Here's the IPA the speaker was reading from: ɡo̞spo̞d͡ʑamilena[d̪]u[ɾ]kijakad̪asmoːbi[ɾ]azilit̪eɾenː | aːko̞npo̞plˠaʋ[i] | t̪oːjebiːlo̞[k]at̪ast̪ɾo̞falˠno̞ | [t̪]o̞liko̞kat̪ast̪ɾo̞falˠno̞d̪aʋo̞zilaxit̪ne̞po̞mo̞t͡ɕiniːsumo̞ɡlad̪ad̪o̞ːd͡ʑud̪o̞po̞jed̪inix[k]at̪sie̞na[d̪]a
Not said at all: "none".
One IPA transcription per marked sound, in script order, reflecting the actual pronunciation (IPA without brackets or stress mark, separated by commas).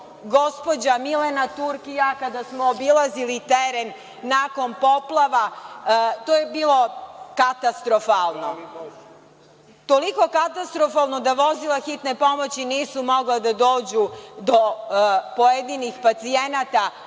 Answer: t̪, ɾ, l, a, k, t̪, p, t̪